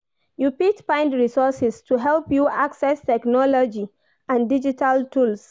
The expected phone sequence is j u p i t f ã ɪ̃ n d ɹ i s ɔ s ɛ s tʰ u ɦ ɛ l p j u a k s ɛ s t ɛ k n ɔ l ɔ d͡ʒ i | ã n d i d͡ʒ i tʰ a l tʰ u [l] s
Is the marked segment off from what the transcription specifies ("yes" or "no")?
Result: no